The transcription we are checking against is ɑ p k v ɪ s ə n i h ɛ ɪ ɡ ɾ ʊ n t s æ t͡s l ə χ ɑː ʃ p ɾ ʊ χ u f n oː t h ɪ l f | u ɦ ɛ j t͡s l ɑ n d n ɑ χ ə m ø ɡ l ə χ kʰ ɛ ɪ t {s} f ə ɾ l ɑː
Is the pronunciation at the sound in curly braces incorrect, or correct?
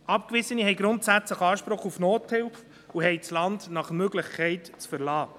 incorrect